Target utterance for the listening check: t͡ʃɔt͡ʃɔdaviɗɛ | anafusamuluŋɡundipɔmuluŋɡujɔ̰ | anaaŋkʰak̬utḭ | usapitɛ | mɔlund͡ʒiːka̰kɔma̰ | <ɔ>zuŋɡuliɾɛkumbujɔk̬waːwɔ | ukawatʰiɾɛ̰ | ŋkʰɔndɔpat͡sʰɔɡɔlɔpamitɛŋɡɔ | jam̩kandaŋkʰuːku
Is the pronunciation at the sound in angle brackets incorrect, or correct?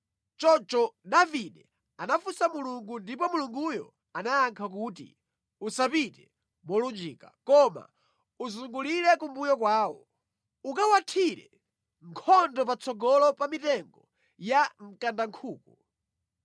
incorrect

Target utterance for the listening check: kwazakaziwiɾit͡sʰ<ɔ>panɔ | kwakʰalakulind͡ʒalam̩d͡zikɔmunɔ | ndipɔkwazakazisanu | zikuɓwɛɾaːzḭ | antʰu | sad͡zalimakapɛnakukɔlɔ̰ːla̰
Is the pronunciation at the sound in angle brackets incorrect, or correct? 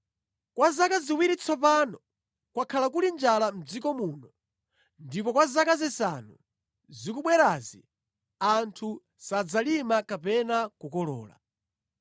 correct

